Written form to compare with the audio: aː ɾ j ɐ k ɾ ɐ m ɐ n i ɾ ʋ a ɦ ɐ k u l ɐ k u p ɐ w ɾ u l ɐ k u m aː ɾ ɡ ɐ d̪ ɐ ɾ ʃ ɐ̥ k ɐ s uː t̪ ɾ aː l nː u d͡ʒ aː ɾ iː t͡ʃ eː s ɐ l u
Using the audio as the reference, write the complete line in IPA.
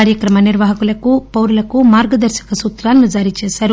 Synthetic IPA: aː ɾ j ɐ k ɾ ɐ m ɐ n i ɾ ʋ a ɦ ɐ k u l ɐ k u p ɐ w ɾ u l ɐ k u m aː ɾ ɡ ɐ d̪ ɐ ɾ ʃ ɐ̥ k ɐ s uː t̪ ɾ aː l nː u d͡ʒ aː ɾ i t͡ʃ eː s ɐ ɾ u

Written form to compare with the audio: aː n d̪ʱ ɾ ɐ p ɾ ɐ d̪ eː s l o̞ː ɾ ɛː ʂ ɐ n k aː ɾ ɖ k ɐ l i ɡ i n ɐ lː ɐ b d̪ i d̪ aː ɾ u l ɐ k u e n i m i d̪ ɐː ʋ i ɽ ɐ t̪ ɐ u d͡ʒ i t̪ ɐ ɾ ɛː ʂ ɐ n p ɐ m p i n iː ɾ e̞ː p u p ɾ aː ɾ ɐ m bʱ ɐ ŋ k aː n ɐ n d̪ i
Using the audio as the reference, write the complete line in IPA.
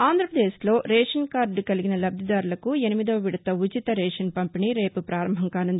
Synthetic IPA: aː n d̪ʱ ɾ ɐ p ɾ ɐ d̪ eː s l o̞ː ɾ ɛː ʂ ɐ n k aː ɾ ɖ k ɐ l i ɡ i n ɐ l ɐ b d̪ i d̪ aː ɾ u l ɐ k u e n i m i d̪ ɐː ʋ i ɽ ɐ t̪ ɐ u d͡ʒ i t̪ ɐ ɾ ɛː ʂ ɐ n p ɐ m p i n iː ɾ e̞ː p u p ɾ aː ɾ ɐ m bʱ ɐ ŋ k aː n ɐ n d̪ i

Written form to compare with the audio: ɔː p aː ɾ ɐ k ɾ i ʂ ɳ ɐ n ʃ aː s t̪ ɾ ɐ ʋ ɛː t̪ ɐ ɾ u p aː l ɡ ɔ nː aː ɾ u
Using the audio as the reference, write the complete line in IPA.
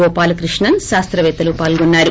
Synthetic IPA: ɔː p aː l ɐ k ɾ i ʂ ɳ ɐ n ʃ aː s t̪ ɾ ɐ ʋ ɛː t̪ ɐ l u p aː l ɡ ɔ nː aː ɾ u

